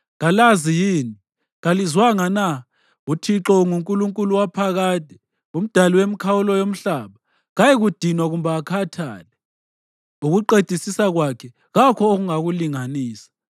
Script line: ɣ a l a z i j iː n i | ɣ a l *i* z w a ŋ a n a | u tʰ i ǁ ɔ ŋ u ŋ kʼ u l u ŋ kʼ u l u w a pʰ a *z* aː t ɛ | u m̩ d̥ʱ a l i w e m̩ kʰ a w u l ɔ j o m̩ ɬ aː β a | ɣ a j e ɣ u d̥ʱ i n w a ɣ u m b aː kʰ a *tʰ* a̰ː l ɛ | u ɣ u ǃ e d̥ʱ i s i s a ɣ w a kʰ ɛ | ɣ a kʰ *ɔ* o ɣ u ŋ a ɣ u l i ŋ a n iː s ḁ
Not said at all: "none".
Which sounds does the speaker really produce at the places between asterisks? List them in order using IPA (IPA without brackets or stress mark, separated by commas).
i, ɣ, tʰ, ɔ